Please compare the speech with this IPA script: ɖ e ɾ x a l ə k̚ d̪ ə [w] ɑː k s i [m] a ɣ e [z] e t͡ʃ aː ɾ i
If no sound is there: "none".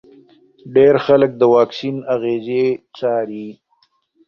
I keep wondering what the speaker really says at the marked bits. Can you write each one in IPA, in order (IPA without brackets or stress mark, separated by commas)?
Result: w, n, z